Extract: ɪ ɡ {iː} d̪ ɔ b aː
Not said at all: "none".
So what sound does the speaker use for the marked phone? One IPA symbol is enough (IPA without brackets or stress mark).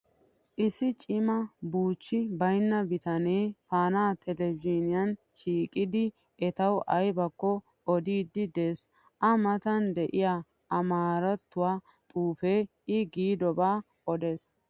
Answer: iː